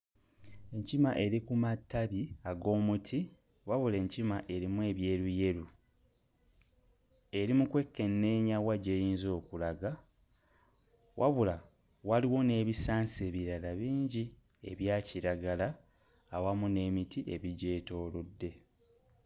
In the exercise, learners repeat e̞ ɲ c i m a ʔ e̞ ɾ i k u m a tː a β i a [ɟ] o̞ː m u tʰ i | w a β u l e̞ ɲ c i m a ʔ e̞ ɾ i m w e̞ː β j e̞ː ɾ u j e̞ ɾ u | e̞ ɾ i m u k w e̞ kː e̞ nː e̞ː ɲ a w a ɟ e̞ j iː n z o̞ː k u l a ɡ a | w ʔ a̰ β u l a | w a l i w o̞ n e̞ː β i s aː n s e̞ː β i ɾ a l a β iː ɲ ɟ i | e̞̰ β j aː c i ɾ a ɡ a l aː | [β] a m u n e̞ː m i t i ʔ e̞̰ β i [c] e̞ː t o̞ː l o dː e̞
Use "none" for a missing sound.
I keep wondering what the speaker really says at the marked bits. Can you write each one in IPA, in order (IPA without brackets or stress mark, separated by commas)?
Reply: ɡ, w, ɟ